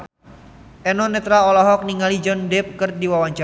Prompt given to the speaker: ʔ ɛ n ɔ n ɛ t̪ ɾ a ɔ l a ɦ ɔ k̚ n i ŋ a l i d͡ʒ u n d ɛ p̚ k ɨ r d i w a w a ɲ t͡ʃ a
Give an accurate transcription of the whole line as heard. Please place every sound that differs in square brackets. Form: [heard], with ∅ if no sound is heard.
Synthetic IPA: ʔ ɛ n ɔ n ɛ t̪ ɾ a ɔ l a ɦ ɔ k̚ n i ŋ a l i d͡ʒ [ɔ] n d ɛ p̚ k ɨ r d i w a w a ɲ t͡ʃ a